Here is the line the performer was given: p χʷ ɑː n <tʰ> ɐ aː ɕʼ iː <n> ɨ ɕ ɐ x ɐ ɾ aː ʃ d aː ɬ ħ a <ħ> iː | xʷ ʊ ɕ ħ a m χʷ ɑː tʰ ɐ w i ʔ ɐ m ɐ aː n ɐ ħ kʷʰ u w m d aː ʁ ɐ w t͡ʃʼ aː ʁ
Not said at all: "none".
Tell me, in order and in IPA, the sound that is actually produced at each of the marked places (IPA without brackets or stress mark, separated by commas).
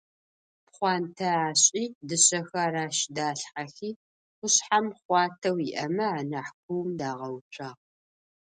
tʰ, d, x